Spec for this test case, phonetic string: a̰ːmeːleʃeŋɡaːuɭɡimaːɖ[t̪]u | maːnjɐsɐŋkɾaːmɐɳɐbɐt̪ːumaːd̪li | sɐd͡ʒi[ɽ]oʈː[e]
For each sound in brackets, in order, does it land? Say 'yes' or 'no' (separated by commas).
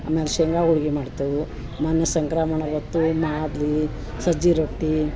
yes, no, no